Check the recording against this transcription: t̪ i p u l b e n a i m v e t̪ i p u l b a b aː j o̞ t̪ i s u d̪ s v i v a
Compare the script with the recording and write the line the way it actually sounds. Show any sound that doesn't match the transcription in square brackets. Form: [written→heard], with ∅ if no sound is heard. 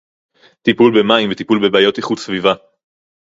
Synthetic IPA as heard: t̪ i p u l b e [n→m] a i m v e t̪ i p u l b [a→e] b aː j o̞ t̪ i [s→χ] u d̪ s v i v a